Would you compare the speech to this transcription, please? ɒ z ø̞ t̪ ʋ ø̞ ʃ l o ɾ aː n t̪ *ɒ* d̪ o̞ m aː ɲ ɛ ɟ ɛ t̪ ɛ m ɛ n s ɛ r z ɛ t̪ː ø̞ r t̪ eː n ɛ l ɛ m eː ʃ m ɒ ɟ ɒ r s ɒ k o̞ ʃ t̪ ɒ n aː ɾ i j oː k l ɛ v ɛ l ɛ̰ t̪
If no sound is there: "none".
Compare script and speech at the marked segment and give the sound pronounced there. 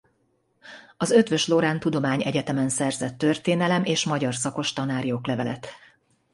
u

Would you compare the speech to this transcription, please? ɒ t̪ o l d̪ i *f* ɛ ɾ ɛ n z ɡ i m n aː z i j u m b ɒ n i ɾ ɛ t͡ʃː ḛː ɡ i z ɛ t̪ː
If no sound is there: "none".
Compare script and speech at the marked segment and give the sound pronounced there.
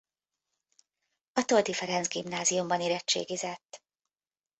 f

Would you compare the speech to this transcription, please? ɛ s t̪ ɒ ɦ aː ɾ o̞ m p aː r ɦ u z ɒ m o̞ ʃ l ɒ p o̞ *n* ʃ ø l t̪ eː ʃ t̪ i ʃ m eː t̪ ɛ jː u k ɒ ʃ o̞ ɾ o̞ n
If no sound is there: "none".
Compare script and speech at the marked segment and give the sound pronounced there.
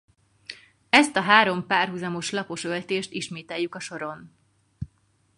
none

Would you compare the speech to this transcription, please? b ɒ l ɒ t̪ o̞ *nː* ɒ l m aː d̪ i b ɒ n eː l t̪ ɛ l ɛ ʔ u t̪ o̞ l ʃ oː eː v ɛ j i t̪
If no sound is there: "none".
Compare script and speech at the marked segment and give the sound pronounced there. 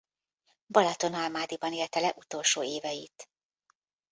n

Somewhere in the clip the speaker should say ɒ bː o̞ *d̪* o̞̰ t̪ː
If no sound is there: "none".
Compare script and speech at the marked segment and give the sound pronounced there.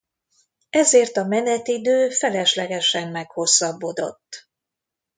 d̪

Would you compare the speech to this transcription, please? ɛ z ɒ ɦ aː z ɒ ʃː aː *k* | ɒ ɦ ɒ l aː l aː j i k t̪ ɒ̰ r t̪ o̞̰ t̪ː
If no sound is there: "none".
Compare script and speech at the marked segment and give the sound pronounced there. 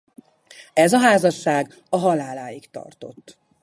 ɡ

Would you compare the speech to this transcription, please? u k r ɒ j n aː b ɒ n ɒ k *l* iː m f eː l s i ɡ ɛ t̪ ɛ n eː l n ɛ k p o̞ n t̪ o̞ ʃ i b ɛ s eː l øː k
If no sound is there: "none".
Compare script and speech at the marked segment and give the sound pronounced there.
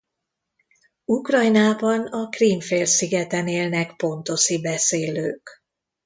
r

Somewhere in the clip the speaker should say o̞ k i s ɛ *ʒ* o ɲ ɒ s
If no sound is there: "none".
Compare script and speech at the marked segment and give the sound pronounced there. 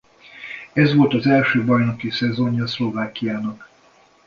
z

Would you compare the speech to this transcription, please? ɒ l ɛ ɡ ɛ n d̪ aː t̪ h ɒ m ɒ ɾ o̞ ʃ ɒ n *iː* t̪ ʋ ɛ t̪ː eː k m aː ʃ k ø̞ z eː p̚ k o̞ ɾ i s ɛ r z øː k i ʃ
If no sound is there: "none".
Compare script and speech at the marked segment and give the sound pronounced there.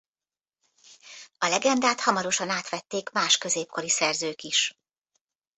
aː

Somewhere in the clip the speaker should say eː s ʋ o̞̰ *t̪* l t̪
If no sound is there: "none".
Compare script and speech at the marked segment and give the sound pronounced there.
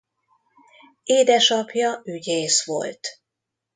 none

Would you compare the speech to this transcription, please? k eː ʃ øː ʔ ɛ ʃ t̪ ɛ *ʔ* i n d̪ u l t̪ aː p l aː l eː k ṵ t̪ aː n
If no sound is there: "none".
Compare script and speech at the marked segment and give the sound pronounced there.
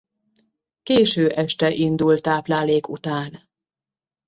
ʔ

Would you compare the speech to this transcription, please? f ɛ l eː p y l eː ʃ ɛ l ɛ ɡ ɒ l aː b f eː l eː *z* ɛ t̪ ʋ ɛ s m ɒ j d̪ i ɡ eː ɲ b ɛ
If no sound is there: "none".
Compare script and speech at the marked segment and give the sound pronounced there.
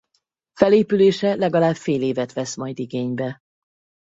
v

